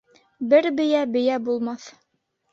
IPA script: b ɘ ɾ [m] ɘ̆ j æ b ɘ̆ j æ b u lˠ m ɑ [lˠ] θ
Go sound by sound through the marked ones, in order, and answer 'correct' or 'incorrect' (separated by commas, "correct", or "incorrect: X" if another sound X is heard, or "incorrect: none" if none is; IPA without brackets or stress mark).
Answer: incorrect: b, incorrect: none